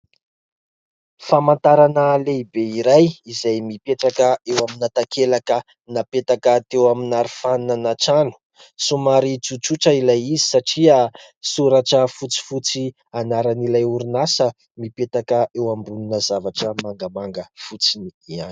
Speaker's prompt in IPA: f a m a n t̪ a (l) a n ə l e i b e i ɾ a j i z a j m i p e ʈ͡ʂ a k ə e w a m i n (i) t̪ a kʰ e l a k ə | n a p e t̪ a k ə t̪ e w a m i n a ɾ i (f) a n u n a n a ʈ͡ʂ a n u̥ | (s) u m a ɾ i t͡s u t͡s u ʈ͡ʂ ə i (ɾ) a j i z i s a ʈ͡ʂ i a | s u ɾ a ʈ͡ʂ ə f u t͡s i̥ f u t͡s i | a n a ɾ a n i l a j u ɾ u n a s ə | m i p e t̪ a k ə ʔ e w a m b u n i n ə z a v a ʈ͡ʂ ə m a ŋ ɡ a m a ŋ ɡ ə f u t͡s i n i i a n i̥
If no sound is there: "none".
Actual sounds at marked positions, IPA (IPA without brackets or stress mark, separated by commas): ɾ, a, f, s, l